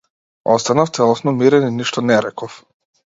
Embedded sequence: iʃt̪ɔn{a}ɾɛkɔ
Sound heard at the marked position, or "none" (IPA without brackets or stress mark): ɛ